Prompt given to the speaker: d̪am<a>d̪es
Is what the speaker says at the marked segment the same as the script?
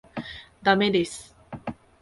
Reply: no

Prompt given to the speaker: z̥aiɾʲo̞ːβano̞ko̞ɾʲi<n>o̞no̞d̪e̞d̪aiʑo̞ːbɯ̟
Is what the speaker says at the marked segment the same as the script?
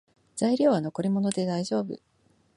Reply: no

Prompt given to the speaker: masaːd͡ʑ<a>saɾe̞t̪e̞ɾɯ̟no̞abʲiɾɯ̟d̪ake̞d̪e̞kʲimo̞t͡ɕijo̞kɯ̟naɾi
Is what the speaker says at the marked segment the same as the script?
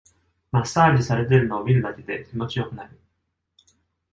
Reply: no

